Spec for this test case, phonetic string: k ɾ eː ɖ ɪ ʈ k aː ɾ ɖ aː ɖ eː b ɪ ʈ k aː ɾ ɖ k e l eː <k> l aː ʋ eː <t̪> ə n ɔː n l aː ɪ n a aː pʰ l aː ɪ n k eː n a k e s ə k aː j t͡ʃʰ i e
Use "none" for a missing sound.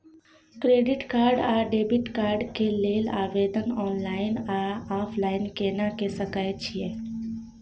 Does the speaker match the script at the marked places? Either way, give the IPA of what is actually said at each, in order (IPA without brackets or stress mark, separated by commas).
none, d̪